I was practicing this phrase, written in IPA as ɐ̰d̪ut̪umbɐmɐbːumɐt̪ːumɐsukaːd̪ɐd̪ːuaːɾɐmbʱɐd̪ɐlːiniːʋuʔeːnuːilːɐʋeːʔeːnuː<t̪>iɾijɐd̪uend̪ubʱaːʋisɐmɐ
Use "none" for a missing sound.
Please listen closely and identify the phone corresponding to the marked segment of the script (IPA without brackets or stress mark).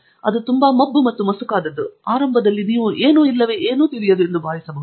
t̪